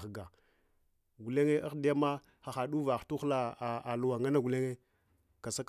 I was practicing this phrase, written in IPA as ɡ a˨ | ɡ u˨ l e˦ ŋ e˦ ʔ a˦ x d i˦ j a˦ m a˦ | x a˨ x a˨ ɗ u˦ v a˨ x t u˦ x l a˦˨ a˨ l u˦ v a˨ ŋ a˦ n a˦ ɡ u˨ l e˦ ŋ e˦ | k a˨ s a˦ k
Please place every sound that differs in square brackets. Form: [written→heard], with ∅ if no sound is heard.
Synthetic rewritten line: ɡ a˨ | ɡ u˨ l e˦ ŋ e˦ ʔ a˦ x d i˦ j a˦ m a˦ | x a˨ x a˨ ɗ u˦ v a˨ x t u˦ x l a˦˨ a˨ l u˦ [v→w] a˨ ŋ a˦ n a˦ ɡ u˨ l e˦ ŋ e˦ | k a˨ s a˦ k